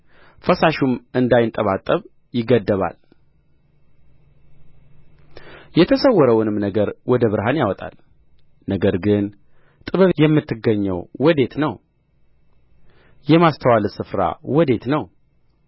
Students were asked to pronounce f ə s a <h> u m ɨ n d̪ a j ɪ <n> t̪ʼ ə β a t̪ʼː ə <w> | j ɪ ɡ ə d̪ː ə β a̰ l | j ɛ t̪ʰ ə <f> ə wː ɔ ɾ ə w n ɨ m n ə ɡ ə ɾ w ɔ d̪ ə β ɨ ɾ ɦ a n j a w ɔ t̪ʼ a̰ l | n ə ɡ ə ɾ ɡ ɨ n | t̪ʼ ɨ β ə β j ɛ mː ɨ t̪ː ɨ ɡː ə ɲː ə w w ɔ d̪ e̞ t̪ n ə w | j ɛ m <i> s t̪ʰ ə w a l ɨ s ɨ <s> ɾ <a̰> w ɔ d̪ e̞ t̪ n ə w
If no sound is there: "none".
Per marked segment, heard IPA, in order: ʃ, n, β, s, a, f, a̰

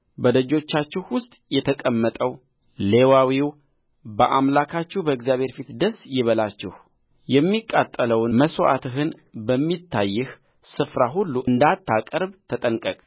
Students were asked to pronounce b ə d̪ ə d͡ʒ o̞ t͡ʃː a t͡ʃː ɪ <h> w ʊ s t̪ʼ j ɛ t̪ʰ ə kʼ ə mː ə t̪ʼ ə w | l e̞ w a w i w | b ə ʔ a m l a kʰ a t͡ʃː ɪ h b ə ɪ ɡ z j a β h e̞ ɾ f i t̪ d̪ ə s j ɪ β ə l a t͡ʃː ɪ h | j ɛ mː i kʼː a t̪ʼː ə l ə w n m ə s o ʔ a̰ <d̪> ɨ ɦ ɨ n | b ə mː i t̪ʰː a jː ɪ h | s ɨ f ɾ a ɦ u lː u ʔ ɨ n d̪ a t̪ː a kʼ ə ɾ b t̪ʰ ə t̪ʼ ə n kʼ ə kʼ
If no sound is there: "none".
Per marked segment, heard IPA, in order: h, t̪

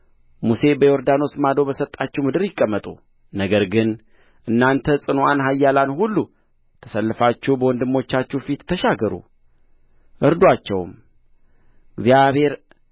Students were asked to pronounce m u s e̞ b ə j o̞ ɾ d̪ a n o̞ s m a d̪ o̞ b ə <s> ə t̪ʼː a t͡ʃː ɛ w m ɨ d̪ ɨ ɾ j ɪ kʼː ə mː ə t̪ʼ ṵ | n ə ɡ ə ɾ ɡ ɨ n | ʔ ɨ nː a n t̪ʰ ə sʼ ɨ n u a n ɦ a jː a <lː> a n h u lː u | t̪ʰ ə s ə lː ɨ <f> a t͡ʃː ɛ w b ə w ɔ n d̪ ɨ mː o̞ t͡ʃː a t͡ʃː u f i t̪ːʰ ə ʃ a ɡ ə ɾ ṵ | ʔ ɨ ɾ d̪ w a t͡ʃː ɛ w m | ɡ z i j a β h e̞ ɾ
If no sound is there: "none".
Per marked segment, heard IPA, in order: s, l, f

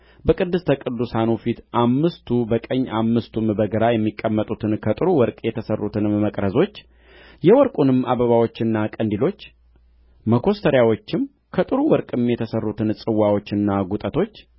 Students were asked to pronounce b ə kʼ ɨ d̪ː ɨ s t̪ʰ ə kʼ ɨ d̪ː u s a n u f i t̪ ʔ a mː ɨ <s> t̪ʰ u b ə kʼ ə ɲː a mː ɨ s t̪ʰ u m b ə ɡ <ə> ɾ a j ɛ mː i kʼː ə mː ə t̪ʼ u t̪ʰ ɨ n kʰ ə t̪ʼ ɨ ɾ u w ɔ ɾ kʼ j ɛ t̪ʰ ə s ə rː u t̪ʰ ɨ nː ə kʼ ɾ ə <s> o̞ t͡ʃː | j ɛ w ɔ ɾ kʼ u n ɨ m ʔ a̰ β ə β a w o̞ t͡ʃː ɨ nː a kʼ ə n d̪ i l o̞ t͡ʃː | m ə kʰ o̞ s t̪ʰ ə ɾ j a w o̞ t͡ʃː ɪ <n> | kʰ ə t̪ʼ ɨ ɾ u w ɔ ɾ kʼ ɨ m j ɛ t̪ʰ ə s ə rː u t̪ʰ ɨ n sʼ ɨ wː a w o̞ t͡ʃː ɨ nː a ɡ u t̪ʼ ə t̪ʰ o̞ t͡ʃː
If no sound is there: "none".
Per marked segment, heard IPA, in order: s, ə, z, m

